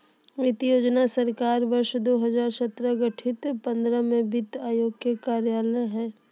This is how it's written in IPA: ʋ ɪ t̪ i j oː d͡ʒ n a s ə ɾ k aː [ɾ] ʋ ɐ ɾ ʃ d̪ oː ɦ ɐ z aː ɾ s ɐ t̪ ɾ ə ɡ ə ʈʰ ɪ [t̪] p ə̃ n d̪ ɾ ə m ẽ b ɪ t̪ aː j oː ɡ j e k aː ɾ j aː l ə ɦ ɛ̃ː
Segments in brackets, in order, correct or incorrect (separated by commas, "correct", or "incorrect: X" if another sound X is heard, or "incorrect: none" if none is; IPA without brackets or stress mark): correct, correct